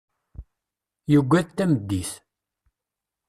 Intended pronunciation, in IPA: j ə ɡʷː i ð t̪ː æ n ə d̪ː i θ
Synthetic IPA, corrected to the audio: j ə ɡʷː æ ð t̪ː æ m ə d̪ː i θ